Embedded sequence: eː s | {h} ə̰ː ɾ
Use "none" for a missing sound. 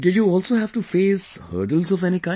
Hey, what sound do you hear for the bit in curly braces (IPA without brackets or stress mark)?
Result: h